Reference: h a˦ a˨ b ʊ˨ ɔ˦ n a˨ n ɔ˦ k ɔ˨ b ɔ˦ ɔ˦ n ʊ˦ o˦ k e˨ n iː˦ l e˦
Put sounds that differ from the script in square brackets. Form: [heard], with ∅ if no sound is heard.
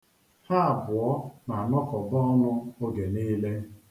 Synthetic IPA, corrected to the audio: h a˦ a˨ b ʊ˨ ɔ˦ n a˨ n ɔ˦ k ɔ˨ b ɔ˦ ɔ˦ n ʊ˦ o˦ [ɡ] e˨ n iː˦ l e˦